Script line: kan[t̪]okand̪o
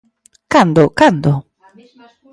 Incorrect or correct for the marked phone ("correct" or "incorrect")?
incorrect